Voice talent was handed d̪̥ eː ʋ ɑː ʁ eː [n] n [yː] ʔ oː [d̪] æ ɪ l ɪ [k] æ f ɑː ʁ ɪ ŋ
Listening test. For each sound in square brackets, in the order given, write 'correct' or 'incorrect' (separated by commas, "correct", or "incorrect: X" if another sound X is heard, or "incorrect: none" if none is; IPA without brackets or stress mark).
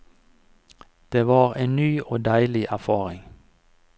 correct, correct, correct, incorrect: ʔ